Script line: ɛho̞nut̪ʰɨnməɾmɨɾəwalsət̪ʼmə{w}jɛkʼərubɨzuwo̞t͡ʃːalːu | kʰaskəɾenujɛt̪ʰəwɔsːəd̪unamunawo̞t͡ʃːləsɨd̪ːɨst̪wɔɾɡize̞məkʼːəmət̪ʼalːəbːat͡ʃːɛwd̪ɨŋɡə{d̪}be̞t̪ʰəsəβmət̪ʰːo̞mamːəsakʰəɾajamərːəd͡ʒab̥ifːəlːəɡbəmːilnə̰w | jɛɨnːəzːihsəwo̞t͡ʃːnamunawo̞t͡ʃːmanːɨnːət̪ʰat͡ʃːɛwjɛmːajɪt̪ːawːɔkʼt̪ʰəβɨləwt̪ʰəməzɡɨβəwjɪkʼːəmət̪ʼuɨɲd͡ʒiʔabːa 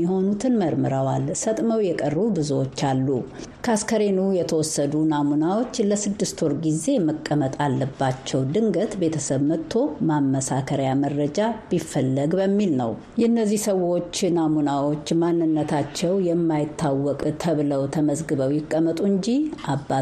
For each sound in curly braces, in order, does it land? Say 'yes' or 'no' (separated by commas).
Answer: yes, no